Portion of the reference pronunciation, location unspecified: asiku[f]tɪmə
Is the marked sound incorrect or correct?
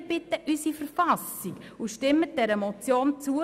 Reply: incorrect